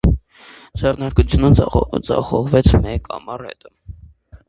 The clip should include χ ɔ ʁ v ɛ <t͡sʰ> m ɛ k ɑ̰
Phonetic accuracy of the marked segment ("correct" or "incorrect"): correct